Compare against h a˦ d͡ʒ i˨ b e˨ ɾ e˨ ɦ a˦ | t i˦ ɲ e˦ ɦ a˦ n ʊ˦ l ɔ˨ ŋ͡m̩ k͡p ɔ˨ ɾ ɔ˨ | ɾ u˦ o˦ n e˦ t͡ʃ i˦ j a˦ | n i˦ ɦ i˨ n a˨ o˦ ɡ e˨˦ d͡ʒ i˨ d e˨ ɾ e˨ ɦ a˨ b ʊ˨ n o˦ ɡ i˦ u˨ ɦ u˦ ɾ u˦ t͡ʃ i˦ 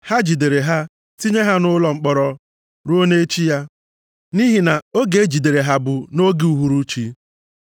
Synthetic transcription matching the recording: h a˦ d͡ʒ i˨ d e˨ ɾ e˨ ɦ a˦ | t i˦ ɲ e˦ ɦ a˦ n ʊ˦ l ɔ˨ ŋ͡m̩ k͡p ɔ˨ ɾ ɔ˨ | ɾ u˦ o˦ n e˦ t͡ʃ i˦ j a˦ | n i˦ ɦ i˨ n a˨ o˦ ɡ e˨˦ d͡ʒ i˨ d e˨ ɾ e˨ ɦ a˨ b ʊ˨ n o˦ ɡ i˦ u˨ ɦ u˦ ɾ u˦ t͡ʃ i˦